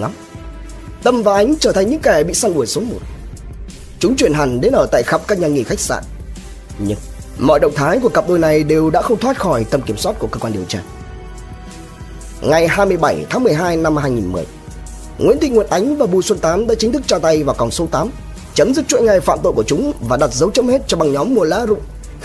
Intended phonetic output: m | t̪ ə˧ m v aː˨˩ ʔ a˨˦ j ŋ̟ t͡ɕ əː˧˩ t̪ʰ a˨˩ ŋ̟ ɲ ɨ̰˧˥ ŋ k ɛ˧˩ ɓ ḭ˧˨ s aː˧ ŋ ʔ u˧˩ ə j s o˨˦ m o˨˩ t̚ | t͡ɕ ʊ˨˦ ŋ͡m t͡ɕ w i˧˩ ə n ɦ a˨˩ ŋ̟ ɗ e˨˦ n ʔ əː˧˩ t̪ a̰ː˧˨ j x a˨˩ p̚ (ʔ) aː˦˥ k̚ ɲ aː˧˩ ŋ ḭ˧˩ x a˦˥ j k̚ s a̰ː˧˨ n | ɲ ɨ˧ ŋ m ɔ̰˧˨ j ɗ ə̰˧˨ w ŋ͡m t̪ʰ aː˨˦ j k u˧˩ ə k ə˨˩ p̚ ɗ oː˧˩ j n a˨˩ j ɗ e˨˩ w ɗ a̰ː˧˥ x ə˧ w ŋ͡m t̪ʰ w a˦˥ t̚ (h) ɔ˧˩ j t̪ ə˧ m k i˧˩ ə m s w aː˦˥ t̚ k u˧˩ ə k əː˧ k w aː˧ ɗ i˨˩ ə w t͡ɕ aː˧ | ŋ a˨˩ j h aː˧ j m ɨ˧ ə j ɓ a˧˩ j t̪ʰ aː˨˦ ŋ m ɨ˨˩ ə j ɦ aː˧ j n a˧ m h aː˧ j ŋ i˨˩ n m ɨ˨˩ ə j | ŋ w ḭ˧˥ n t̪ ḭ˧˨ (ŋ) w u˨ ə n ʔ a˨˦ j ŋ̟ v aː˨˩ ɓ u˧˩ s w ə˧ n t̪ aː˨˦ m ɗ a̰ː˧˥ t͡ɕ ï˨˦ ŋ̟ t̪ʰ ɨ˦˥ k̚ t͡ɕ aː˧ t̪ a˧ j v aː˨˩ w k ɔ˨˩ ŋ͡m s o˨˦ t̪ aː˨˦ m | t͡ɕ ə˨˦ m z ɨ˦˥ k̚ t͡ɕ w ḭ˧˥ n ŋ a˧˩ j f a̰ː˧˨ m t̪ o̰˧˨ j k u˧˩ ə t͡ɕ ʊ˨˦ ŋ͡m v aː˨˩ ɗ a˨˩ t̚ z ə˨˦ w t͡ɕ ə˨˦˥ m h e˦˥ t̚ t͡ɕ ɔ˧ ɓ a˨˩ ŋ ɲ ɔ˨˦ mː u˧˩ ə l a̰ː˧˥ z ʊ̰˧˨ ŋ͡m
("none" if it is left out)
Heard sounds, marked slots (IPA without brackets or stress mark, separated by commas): k, x, ŋ